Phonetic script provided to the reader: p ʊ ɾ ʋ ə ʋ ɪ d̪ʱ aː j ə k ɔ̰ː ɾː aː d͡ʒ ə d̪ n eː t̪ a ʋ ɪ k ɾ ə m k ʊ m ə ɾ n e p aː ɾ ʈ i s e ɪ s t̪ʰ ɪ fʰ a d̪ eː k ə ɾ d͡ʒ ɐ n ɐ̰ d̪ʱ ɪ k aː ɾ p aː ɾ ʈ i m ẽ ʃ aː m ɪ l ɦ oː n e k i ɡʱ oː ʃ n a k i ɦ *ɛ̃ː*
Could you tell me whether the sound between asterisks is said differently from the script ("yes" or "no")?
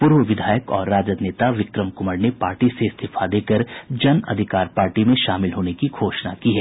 yes